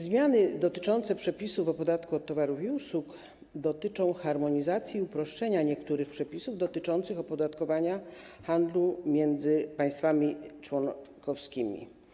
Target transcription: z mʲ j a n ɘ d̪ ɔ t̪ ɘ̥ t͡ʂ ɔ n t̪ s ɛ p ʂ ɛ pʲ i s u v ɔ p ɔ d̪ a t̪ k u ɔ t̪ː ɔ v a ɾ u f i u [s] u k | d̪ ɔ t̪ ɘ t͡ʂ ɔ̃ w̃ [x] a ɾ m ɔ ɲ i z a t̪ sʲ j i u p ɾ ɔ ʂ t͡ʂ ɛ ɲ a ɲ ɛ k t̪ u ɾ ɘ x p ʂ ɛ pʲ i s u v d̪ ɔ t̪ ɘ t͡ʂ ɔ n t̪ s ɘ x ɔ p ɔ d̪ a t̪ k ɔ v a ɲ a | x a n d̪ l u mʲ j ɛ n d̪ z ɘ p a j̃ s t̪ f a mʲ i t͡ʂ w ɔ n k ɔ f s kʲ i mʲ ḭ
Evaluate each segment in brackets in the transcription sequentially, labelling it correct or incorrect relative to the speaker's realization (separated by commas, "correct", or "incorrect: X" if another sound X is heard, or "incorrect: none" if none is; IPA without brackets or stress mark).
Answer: correct, correct